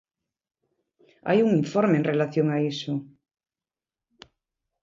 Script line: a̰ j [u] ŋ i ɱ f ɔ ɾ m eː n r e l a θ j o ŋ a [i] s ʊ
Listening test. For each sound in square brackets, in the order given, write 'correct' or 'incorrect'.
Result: correct, correct

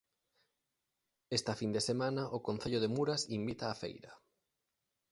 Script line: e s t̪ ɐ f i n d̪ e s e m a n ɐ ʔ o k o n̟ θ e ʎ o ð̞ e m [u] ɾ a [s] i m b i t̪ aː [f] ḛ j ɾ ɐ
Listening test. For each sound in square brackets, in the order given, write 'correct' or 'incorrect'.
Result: correct, correct, correct

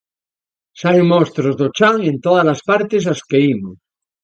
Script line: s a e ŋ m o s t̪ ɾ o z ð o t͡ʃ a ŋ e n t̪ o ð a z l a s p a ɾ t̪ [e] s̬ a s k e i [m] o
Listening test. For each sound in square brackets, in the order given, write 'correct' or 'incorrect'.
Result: correct, correct

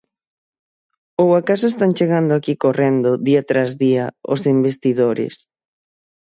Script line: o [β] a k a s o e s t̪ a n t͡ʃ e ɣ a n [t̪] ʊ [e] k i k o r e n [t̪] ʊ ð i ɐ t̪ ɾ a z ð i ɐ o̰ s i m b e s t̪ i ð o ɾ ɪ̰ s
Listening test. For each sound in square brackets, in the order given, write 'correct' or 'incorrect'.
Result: incorrect, incorrect, incorrect, incorrect

